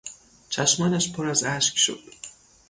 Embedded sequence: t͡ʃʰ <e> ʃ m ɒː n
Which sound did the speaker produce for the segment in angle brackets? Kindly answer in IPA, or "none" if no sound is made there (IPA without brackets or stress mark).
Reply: æ